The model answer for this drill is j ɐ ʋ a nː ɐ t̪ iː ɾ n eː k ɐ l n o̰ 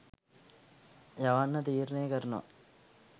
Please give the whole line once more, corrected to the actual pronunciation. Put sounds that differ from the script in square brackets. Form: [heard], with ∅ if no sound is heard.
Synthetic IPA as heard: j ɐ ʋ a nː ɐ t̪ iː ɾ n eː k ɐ [ɾ] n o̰